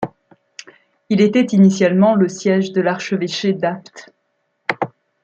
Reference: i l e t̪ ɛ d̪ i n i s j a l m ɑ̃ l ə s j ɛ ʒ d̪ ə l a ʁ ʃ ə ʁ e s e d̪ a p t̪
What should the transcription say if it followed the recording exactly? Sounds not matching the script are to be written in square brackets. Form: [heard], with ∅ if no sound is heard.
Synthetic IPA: i l e t̪ ɛ [t̪] i n i s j a l m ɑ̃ l ə s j ɛ ʒ d̪ ə l a ʁ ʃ ə [v] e [ʃ] e d̪ a p t̪